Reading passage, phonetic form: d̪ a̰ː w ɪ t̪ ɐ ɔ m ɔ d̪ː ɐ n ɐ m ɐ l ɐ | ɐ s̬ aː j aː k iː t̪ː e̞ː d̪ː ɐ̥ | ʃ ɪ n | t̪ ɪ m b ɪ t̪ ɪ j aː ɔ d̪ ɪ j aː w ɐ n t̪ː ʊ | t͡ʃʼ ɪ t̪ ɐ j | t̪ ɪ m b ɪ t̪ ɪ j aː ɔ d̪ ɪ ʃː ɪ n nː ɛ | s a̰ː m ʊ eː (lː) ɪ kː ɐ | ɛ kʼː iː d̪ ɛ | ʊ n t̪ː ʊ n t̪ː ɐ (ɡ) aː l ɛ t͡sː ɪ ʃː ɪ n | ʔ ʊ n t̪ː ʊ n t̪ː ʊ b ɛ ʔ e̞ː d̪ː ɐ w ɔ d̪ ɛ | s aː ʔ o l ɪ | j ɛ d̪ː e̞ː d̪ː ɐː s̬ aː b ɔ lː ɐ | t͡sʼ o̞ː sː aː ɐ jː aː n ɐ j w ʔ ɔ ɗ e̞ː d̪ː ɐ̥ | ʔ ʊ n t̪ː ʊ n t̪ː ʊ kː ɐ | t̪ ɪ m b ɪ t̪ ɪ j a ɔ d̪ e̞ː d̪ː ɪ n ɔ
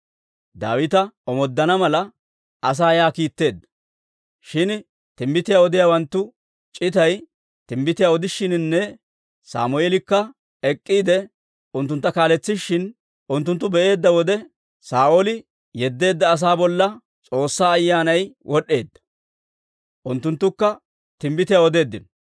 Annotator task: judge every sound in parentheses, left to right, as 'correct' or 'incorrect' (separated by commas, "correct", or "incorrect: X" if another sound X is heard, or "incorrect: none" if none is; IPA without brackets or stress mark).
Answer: incorrect: l, incorrect: k